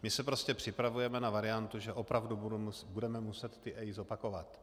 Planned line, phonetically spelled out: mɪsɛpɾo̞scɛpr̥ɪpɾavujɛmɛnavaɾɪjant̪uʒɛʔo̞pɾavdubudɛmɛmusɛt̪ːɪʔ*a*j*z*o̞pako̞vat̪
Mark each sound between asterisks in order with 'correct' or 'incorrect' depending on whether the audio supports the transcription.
incorrect: ɛ, correct

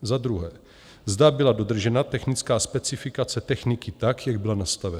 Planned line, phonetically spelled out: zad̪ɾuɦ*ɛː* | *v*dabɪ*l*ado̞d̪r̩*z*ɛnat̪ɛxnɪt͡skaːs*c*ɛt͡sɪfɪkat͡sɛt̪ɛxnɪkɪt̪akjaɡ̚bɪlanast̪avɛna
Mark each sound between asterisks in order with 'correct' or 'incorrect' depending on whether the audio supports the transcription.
correct, incorrect: z, correct, incorrect: ʒ, incorrect: p

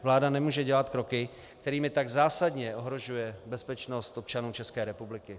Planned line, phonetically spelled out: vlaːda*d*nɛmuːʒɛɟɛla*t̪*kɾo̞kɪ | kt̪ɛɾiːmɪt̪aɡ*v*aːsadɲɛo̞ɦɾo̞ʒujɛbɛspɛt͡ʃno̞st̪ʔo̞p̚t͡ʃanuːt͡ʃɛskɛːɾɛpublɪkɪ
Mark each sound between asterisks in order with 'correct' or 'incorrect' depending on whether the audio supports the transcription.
incorrect: none, correct, incorrect: z

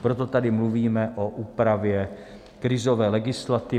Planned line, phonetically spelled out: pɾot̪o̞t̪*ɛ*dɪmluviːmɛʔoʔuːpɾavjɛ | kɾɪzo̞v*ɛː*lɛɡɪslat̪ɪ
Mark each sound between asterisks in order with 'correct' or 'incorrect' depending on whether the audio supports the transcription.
incorrect: a, correct

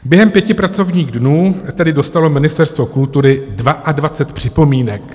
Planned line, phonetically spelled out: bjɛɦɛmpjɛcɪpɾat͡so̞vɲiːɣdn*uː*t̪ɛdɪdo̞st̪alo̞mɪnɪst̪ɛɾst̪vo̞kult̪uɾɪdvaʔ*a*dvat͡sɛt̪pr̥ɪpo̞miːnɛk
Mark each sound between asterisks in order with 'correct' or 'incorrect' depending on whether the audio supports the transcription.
correct, correct

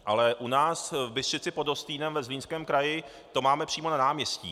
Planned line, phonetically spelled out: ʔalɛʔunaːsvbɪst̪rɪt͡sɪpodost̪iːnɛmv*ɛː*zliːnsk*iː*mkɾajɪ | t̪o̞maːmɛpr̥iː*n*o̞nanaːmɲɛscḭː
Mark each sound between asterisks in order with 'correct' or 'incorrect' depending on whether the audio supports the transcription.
incorrect: ɛ, incorrect: ɛː, incorrect: m

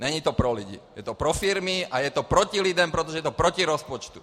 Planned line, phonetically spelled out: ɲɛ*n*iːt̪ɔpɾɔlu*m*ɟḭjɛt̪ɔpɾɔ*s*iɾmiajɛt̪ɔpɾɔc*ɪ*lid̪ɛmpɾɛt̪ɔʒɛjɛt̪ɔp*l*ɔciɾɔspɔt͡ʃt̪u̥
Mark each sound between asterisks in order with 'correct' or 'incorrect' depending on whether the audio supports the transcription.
incorrect: ɲ, incorrect: none, incorrect: f, incorrect: i, incorrect: ɾ

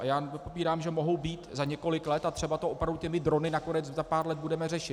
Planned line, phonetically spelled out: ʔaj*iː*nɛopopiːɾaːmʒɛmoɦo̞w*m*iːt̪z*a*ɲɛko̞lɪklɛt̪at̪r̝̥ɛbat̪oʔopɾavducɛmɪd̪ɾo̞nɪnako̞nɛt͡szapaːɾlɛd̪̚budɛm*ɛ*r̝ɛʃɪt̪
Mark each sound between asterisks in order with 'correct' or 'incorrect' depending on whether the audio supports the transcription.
incorrect: aː, incorrect: b, correct, correct

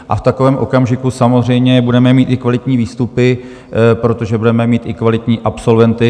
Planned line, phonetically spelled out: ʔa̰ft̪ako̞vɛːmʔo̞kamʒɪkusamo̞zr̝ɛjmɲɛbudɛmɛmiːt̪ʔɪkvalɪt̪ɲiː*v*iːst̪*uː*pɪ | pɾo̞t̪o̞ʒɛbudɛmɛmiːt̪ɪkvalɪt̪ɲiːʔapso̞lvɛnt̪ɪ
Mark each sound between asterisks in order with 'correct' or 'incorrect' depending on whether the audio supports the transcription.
correct, incorrect: u

